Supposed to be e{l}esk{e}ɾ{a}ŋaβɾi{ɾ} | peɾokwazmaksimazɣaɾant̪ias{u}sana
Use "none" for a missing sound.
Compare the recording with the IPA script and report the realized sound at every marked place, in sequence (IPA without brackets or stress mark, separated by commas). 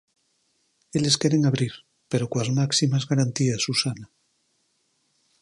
l, e, e, ɾ, u